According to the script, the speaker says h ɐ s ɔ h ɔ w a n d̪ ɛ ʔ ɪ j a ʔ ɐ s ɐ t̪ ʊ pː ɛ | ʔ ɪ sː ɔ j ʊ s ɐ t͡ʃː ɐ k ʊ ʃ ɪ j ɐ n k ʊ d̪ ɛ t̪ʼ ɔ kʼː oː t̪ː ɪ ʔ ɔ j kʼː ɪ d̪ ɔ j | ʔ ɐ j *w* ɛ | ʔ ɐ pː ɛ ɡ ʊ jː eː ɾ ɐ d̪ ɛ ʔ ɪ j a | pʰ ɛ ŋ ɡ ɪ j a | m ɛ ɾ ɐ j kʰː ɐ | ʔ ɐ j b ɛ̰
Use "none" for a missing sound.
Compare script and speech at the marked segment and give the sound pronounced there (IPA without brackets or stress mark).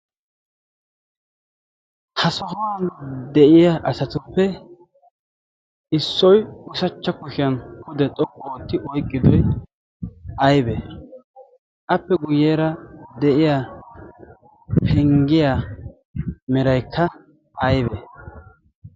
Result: b